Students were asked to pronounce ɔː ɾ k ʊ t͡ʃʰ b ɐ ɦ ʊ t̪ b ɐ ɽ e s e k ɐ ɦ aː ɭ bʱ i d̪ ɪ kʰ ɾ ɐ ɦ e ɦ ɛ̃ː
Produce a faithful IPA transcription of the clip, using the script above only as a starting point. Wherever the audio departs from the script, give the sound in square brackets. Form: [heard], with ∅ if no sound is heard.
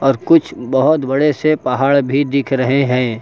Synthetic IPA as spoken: ɔː ɾ k ʊ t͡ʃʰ b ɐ ɦ ʊ t̪ b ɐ ɽ e s e [p] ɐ ɦ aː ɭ bʱ i d̪ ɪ kʰ ɾ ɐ ɦ e ɦ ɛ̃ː